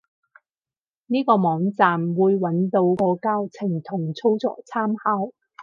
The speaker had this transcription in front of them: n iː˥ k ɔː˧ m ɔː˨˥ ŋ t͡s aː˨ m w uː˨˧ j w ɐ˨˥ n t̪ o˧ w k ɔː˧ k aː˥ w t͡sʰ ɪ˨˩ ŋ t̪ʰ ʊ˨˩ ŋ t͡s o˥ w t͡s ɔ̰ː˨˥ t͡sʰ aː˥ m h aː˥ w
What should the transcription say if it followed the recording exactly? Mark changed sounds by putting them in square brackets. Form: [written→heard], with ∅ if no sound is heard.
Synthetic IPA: n iː˥ k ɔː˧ m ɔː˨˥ ŋ t͡s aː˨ m w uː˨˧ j w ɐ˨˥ n t̪ o˧ w k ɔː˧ k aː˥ w t͡sʰ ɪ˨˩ ŋ t̪ʰ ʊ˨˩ ŋ [t͡s→t͡sʰ] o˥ w t͡s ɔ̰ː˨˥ t͡sʰ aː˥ m h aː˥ w